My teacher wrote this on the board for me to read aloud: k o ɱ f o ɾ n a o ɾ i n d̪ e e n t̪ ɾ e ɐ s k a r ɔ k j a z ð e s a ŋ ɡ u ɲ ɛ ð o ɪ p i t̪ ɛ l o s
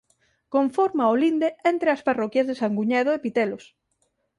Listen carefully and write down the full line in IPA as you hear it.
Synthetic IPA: k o ɱ f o ɾ m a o l i n d̪ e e n t̪ ɾ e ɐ s p a r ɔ k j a z ð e s a ŋ ɡ u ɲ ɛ ð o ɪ p i t̪ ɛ l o s